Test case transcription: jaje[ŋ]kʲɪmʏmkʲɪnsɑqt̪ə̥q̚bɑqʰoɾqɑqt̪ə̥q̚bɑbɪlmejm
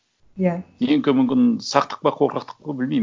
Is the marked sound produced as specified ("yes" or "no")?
yes